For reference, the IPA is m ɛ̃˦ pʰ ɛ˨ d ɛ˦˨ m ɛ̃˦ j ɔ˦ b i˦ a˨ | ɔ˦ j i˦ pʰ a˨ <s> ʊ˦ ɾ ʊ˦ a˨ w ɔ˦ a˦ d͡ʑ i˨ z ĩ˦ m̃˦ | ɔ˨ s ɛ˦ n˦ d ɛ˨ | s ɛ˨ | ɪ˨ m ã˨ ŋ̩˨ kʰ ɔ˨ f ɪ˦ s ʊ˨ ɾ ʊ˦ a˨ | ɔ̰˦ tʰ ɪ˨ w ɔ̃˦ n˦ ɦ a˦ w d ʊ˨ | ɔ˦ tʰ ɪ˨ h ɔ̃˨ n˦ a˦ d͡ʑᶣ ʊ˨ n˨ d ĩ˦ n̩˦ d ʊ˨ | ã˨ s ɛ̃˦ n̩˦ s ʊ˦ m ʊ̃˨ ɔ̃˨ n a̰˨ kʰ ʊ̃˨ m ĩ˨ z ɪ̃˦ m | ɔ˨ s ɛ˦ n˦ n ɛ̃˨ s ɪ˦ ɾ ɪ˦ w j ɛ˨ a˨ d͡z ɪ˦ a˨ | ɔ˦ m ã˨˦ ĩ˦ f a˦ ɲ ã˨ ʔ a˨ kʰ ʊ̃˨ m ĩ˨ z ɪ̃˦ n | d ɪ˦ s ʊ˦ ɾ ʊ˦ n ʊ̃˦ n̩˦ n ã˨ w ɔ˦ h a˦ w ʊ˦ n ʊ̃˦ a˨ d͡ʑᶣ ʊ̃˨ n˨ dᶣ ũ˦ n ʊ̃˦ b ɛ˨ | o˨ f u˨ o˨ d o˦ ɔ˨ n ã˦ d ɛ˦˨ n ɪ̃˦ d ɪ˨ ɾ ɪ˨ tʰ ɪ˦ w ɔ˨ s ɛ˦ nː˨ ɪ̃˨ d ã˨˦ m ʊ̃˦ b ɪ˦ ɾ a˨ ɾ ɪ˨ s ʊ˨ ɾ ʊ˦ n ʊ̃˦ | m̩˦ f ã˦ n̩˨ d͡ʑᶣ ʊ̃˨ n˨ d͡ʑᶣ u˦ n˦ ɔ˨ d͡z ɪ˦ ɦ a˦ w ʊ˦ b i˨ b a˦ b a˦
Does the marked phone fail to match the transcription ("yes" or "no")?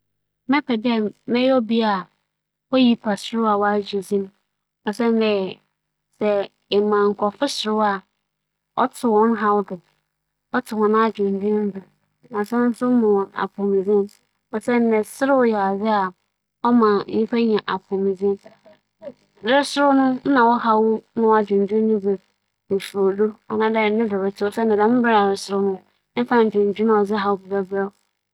no